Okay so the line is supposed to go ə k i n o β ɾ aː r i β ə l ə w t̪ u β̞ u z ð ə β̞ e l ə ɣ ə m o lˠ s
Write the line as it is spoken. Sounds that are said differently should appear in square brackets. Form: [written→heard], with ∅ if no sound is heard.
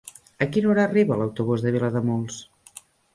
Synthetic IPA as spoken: ə k i n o [β→∅] ɾ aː r i β ə l ə w t̪ u β̞ u z ð ə β̞ [e→i] l ə [ɣ→ð] ə m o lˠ s